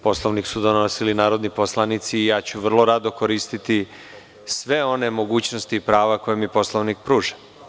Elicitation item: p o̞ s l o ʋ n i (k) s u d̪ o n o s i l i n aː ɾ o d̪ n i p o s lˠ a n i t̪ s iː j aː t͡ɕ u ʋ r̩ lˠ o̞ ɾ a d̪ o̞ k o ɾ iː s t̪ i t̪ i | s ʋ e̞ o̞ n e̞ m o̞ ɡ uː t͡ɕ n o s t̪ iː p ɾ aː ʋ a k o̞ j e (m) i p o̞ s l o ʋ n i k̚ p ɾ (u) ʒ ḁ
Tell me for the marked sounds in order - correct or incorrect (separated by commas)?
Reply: correct, correct, incorrect